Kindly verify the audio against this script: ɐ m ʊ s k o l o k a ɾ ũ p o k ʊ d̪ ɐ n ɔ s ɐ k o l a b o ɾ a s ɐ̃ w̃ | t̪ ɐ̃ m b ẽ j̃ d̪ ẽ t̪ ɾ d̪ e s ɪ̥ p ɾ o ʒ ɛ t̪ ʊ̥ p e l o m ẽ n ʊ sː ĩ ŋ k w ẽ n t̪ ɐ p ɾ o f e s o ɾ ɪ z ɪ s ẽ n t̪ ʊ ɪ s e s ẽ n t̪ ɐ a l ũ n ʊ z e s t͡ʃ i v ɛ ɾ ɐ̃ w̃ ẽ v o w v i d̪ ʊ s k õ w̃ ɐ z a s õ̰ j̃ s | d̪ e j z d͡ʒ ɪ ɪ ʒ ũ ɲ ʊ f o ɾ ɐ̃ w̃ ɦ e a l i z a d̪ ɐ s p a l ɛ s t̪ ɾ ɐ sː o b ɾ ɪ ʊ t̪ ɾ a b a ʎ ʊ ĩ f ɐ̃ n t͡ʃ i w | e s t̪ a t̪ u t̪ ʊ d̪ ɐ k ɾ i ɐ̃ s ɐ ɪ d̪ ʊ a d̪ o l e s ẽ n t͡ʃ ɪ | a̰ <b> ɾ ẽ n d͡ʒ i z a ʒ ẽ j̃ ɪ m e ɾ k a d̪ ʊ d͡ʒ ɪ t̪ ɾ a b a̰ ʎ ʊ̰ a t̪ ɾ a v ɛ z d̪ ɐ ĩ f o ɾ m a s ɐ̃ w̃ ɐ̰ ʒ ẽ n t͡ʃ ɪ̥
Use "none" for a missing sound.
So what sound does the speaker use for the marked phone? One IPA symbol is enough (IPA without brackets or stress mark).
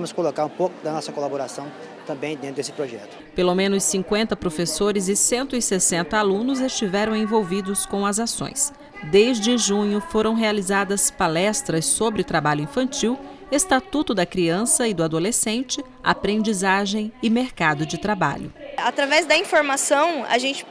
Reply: p